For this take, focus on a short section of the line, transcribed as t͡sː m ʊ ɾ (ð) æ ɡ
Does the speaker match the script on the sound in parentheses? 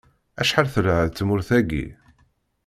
no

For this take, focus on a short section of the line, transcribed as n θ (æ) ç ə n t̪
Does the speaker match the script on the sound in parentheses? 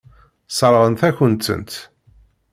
yes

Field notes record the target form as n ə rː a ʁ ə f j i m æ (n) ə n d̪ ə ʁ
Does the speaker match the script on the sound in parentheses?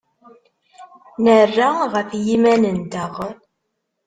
yes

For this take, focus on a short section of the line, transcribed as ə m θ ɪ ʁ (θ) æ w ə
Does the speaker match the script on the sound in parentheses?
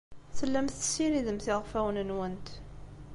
no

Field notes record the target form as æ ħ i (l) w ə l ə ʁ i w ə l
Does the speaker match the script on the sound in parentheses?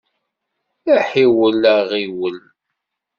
no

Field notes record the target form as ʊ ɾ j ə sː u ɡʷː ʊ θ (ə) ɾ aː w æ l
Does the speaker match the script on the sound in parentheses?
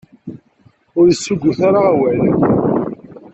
no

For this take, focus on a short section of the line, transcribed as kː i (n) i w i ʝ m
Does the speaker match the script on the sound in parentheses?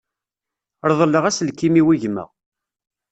no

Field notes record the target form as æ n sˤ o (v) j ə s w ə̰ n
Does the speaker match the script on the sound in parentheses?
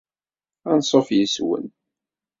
no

